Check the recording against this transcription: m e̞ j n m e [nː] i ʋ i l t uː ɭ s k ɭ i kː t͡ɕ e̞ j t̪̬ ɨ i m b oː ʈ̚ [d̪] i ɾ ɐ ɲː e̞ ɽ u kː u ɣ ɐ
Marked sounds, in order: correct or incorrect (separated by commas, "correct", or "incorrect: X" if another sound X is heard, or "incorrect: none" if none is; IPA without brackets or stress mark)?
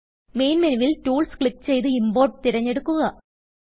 incorrect: n, incorrect: t̪